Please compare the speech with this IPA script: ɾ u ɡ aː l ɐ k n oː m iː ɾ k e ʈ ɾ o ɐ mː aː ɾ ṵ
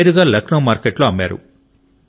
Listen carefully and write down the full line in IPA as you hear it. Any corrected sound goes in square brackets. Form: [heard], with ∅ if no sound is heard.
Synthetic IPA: ɾ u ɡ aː l ɐ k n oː m [aː] ɾ k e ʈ [l] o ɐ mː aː ɾ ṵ